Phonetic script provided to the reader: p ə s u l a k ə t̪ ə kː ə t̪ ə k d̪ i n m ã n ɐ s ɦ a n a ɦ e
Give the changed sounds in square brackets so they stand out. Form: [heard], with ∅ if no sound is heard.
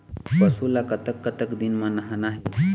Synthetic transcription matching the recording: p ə s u l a k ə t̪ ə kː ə t̪ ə k d̪ i n m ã n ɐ [∅] ɦ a n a ɦ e

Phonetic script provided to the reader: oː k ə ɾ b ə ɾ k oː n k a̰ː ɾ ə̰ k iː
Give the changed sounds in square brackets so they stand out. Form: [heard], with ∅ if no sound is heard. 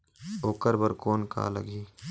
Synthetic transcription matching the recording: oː k ə ɾ b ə ɾ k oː n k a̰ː [l] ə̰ [ɡ] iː

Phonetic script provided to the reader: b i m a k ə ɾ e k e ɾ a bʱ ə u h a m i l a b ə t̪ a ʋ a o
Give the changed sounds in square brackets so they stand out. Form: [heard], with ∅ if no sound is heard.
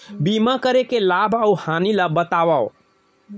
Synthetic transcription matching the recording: b i m a k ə ɾ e k e [l] a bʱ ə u h a [n] i l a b ə t̪ a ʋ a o

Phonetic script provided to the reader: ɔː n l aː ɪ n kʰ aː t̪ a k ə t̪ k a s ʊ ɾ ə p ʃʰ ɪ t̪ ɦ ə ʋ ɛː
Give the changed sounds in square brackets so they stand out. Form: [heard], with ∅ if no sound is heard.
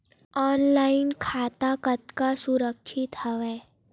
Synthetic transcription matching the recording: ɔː n l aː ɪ n kʰ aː t̪ a k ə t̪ k a s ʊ ɾ ə [k] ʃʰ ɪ t̪ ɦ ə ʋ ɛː

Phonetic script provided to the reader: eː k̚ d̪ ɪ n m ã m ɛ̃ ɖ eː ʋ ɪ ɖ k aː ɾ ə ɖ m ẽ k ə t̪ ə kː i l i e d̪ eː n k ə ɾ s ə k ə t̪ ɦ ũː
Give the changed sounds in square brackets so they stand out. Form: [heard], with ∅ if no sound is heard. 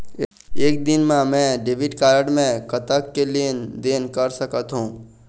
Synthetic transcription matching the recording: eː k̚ d̪ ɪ n m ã m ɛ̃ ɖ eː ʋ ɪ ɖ k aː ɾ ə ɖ m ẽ k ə t̪ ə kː [e] l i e d̪ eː n k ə ɾ s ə k ə t̪ ɦ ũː

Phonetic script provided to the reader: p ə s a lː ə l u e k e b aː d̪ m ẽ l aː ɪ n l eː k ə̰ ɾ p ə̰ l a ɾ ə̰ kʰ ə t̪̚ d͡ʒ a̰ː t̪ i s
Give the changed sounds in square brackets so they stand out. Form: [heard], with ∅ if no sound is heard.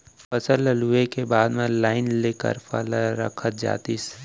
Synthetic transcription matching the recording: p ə s [ə] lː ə l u e k e b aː d̪ m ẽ l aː ɪ n l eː k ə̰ ɾ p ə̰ l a ɾ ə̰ kʰ ə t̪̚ d͡ʒ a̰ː t̪ i s

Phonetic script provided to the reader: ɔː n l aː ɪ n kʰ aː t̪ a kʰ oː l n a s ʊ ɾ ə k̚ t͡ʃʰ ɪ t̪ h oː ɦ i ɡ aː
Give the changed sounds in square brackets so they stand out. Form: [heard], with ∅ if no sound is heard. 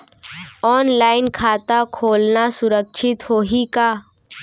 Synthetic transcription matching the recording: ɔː n l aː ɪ n kʰ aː t̪ a kʰ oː l n a s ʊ ɾ ə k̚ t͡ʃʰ ɪ t̪ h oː ɦ i [k] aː

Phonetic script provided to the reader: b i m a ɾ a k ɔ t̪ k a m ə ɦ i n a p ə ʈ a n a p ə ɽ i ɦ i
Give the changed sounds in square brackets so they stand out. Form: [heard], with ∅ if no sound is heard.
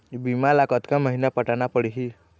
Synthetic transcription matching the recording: b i m a [l] a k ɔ t̪ k a m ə ɦ i n a p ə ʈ a n a p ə ɽ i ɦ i

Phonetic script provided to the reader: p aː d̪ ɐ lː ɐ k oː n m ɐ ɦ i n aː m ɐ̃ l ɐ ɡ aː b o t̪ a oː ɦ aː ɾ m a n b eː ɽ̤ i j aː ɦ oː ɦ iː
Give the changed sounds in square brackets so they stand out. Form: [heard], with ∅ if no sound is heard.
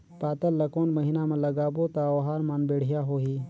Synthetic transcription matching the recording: p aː [t̪] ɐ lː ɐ k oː n m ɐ ɦ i n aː m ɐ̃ l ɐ ɡ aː b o t̪ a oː ɦ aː ɾ m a n b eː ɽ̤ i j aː ɦ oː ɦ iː

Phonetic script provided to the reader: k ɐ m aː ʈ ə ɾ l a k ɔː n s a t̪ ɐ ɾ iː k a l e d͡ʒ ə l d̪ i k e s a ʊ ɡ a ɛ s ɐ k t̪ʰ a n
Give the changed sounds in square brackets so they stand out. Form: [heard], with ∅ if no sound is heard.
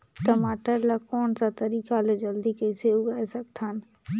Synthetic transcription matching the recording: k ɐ m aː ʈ ə ɾ l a k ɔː n s a t̪ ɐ ɾ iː k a l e d͡ʒ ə l d̪ i k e s [e] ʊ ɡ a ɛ s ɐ k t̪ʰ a n

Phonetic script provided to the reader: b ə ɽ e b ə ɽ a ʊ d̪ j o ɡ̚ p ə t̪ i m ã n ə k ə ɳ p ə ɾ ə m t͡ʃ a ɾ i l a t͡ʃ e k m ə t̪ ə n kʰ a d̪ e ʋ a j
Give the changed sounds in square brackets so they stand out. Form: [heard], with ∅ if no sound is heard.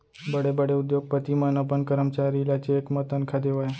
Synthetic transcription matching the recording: b ə ɽ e b ə ɽ [e] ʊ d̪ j o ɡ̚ p ə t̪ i m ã n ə [p] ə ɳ [k] ə ɾ ə m t͡ʃ a ɾ i l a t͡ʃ e k m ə t̪ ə n kʰ a d̪ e ʋ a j

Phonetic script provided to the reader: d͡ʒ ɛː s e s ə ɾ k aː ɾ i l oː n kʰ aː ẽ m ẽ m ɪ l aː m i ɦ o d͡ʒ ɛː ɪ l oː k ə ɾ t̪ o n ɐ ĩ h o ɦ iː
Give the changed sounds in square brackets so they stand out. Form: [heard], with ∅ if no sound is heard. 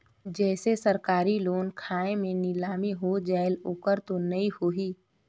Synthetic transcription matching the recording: d͡ʒ ɛː s e s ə ɾ k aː ɾ i l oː n kʰ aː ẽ m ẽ [n] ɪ l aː m i ɦ o d͡ʒ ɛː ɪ l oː k ə ɾ t̪ o n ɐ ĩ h o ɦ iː

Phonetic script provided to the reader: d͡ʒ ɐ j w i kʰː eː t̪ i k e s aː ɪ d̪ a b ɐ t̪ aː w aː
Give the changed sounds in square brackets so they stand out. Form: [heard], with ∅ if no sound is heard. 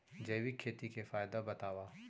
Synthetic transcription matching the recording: d͡ʒ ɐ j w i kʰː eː t̪ i k e [f] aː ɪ d̪ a b ɐ t̪ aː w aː

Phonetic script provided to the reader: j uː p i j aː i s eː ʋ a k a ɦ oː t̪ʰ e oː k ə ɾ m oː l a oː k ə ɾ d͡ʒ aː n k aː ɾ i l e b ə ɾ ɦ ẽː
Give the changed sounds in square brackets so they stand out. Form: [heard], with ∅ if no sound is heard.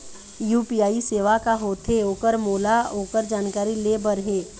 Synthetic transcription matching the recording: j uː p i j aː i s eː ʋ a k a ɦ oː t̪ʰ e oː k ə ɾ m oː l a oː k ə ɾ d͡ʒ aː n k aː ɾ i l e b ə ɾ ɦ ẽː

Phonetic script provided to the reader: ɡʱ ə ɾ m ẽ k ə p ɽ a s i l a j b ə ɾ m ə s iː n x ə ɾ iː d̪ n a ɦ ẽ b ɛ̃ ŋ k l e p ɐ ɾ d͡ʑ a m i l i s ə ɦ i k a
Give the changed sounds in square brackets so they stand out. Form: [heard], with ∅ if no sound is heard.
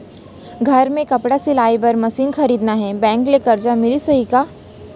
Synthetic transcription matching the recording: ɡʱ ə ɾ m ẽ k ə p ɽ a s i l a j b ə ɾ m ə s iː n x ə ɾ iː d̪ n a ɦ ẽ b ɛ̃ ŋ k l e [k] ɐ ɾ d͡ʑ a m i l i s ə ɦ i k a

